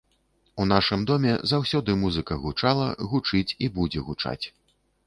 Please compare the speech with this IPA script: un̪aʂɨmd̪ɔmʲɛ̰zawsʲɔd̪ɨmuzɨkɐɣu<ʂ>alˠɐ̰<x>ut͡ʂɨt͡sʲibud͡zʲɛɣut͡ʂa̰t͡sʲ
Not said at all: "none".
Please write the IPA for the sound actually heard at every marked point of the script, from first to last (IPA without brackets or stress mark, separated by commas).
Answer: t͡ʂ, ɣ